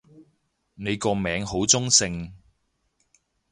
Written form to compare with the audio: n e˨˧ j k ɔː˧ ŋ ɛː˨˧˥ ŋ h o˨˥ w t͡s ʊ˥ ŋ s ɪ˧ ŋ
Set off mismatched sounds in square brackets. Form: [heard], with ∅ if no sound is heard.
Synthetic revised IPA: n e˨˧ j k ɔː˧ [m] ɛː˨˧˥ ŋ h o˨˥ w t͡s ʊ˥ ŋ s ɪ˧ ŋ